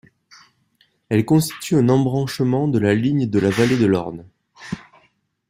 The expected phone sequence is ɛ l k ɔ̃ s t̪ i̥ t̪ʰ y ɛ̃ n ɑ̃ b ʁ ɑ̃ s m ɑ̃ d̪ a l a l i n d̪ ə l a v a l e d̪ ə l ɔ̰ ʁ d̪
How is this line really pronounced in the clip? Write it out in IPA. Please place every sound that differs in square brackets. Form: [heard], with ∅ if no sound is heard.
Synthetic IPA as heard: ɛ l k ɔ̃ s t̪ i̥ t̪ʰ y ɛ̃ n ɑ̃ b ʁ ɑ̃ [ʃ] m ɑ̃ d̪ [ə] l a l i [ɲ] d̪ ə l a v a l e d̪ ə l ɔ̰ ʁ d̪